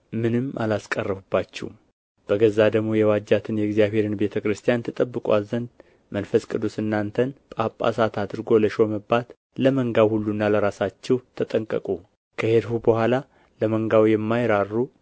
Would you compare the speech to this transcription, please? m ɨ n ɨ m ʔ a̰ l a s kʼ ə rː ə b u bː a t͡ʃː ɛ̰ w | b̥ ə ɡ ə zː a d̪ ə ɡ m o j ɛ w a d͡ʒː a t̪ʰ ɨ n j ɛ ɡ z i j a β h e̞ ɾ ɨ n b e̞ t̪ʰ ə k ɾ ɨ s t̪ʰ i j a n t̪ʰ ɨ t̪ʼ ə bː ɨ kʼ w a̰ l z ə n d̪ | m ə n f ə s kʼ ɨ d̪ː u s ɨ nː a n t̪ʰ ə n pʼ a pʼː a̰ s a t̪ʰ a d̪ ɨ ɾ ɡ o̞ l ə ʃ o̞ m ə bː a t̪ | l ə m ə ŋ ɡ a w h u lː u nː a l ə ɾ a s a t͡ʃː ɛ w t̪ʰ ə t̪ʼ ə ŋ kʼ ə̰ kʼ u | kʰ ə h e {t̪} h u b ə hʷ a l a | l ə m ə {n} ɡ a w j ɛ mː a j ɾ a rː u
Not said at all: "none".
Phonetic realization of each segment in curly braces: d̪, ŋ

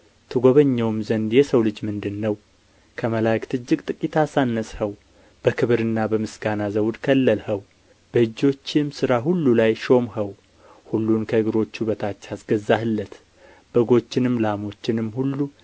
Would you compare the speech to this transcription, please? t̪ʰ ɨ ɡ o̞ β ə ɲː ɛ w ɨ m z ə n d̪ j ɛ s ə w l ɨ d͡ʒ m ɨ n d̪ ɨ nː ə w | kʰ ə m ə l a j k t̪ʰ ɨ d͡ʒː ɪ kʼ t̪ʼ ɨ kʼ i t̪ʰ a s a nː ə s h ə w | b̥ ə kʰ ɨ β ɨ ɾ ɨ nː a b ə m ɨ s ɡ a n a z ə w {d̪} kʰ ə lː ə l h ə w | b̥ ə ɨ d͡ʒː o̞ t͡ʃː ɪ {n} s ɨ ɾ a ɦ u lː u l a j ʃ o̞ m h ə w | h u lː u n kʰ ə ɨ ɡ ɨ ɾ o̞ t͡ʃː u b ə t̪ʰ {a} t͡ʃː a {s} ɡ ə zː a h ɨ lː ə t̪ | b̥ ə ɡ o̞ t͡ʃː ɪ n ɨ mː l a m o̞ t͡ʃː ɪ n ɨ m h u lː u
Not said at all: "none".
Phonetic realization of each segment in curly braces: d̪, m, a, s

